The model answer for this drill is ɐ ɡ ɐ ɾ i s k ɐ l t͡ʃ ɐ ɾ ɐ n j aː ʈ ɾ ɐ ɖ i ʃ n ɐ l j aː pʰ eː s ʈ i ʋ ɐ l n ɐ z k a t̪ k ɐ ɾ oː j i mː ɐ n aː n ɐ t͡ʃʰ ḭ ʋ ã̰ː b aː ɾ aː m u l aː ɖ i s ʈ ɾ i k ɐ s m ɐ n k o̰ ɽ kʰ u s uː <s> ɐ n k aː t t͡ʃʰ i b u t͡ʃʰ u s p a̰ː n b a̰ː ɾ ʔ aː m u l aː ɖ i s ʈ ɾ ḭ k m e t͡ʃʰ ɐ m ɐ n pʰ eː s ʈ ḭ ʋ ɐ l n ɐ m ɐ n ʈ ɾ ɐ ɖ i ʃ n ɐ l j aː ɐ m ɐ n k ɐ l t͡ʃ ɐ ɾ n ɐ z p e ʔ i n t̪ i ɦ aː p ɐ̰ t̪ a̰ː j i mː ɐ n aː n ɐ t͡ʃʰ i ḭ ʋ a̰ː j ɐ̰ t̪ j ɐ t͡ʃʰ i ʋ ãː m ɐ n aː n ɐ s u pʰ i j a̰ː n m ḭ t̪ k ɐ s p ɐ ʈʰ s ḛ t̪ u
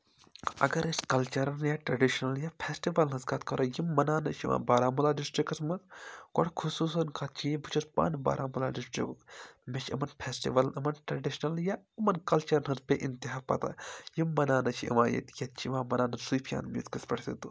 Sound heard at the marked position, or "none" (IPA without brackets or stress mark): s